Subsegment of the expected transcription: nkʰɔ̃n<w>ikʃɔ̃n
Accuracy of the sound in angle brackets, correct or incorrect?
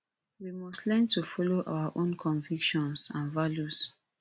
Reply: incorrect